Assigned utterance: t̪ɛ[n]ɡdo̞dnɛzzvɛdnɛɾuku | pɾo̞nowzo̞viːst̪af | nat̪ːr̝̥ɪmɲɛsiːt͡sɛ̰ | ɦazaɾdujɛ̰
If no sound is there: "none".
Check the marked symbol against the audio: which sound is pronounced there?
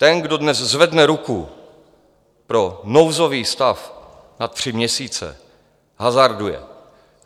n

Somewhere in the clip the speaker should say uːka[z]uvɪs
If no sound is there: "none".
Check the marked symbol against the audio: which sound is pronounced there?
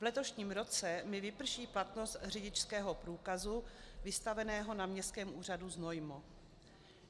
z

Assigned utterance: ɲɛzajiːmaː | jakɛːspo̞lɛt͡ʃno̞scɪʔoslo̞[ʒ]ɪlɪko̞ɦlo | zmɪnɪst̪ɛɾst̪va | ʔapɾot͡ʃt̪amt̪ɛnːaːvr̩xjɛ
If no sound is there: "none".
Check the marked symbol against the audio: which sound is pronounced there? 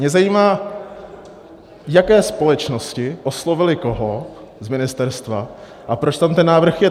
v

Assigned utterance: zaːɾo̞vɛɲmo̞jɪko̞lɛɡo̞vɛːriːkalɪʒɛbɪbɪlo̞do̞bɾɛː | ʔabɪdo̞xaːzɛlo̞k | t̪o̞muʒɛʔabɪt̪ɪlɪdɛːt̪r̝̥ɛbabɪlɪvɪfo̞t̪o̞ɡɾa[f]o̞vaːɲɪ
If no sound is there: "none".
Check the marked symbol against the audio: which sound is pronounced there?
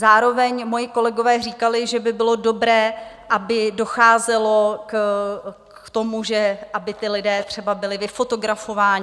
f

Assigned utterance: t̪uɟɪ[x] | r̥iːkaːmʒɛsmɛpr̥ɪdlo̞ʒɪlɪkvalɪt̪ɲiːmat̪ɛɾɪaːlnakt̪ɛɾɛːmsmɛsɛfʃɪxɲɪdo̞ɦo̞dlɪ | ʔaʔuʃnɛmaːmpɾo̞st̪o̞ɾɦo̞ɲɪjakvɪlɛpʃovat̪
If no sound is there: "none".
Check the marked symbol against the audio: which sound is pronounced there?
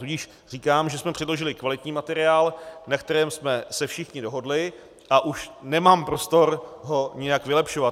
ʃ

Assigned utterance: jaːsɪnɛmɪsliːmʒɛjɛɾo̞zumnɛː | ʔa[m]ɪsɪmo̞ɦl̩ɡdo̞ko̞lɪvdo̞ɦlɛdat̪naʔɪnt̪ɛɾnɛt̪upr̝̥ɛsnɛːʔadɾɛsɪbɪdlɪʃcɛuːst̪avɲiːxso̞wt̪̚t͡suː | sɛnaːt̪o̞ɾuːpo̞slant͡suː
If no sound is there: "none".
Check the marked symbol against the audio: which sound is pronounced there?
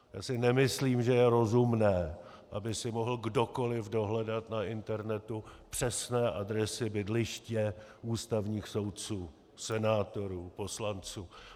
b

